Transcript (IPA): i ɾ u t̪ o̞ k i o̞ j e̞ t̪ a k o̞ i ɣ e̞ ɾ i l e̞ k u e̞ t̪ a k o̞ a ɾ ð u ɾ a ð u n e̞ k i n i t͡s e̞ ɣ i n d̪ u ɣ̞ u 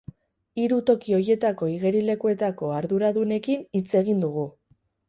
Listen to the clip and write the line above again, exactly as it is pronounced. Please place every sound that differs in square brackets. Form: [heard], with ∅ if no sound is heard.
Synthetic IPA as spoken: i ɾ u t̪ o̞ k i o̞ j e̞ t̪ a k o̞ i ɣ e̞ ɾ i l e̞ k u e̞ t̪ a k o̞ a ɾ ð u ɾ a ð u n e̞ k i n i t͡s e̞ ɣ i n d̪ u ɣ̞ u